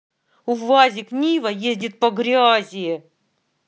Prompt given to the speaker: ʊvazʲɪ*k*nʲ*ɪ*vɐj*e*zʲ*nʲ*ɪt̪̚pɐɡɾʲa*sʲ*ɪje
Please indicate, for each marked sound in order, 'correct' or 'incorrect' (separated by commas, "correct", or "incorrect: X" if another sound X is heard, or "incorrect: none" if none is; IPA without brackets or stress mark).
correct, incorrect: i, correct, incorrect: dʲ, incorrect: zʲ